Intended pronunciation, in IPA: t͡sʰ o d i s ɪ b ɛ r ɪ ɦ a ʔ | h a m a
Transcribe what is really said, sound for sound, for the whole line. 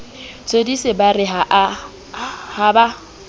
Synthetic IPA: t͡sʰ o d i s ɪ b a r ɪ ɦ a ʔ | h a b a